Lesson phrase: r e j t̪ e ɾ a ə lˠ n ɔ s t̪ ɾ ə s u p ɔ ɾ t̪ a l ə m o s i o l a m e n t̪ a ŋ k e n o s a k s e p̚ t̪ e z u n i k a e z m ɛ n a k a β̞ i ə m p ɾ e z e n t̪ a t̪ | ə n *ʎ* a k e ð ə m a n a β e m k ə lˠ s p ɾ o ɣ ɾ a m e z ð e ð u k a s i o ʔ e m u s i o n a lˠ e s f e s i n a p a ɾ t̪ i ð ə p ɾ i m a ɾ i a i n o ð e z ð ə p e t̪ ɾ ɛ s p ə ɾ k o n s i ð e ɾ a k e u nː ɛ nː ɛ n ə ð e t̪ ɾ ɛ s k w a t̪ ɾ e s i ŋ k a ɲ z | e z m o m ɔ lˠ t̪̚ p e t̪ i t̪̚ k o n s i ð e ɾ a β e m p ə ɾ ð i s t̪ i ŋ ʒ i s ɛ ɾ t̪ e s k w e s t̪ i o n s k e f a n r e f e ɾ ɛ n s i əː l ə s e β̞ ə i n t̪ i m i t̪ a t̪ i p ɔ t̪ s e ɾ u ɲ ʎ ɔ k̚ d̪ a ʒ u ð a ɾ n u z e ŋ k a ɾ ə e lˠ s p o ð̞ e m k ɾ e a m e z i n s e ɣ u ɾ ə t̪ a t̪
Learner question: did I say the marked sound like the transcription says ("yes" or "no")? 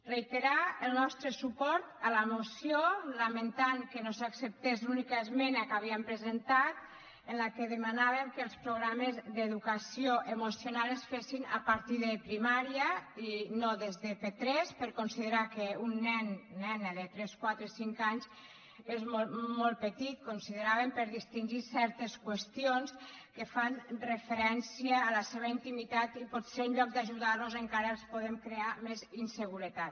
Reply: no